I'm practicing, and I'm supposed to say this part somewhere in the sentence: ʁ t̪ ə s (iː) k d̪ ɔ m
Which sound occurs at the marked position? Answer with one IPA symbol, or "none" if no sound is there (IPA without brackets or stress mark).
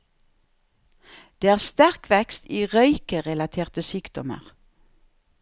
yː